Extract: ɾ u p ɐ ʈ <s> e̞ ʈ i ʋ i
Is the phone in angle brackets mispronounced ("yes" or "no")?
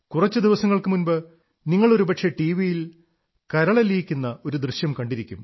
yes